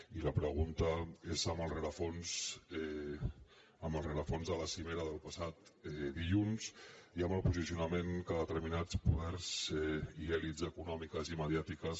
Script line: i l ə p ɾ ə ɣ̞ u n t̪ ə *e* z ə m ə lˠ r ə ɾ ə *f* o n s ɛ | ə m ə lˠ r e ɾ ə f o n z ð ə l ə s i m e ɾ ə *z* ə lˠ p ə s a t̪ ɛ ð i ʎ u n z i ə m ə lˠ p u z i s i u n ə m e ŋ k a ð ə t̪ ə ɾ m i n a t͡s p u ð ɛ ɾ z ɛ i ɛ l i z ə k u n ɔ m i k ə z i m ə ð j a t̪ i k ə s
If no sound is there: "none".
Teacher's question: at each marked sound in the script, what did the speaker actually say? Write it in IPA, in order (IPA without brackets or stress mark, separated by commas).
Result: e, f, ð